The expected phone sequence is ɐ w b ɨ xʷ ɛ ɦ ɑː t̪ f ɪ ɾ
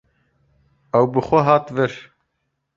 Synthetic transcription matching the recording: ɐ w b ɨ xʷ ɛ ɦ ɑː t̪ v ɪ ɾ